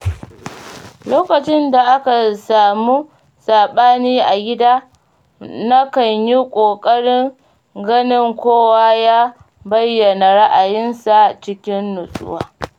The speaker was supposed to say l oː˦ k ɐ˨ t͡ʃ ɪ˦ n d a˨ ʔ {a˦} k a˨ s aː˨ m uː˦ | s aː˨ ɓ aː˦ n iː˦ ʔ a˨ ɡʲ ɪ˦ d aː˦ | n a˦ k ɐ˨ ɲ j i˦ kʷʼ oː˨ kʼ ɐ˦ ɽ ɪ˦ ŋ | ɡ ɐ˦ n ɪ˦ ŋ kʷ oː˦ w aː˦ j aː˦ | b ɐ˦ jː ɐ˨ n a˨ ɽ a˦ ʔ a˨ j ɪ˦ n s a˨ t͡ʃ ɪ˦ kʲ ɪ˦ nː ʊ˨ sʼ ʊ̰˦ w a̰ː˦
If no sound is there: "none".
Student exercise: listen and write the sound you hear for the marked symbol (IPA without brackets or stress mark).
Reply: a˦